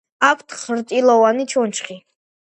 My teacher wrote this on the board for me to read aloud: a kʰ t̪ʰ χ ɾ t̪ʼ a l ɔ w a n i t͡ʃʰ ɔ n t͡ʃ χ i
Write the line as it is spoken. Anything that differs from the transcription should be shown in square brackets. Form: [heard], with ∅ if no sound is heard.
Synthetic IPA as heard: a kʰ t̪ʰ χ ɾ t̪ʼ [i] l ɔ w a n i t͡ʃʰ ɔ n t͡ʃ χ i